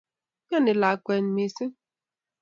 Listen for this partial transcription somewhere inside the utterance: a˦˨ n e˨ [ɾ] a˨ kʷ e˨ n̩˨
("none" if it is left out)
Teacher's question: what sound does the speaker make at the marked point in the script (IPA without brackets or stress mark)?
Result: l